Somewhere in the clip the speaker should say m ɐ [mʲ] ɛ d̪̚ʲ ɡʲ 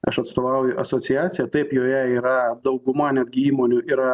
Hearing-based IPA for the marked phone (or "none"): nʲ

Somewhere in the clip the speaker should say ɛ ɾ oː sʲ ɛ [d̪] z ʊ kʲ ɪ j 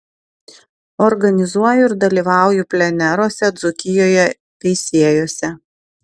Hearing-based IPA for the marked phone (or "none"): d̪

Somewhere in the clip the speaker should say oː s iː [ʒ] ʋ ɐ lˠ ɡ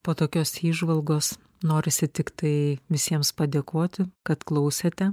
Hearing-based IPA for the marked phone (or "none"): ʒ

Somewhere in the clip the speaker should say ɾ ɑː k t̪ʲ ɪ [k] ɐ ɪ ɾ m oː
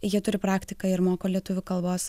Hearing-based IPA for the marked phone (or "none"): k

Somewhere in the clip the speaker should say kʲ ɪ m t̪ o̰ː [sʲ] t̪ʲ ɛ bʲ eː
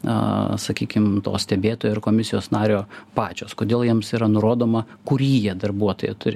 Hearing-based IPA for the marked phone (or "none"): sʲ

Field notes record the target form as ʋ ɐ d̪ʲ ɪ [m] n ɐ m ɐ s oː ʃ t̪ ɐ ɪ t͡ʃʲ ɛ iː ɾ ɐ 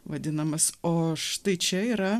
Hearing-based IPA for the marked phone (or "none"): none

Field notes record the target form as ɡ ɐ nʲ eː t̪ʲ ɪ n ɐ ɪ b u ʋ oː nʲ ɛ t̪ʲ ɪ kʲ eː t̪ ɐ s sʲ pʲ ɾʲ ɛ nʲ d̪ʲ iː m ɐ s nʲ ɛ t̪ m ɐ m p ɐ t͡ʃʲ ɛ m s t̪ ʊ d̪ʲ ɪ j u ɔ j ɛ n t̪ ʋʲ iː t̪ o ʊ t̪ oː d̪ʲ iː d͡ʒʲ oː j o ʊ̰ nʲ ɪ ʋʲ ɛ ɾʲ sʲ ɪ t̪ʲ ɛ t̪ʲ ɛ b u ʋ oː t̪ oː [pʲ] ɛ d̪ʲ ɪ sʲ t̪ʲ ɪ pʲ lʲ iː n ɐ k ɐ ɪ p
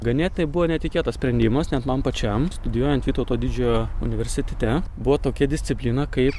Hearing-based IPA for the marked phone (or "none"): kʲ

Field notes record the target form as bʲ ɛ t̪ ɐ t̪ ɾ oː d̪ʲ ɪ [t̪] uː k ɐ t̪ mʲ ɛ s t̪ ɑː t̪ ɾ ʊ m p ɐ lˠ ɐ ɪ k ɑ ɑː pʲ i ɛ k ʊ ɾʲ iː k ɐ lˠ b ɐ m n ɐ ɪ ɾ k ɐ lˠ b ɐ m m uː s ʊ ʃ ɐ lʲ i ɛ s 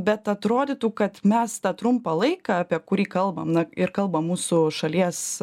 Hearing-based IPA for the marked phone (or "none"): t̪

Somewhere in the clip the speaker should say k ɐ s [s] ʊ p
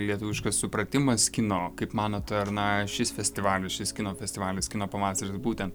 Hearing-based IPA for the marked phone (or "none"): s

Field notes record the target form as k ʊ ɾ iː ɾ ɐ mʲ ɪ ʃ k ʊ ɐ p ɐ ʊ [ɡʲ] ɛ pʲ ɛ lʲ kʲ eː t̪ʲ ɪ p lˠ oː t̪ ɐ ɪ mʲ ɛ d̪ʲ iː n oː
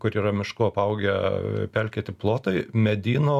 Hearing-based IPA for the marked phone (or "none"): ɡʲ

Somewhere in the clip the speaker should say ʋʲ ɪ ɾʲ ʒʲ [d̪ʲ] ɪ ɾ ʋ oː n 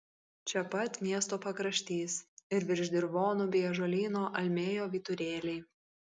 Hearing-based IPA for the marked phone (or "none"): d̪ʲ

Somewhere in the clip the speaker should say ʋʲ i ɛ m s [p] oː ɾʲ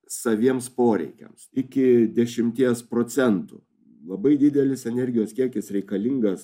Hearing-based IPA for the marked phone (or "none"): p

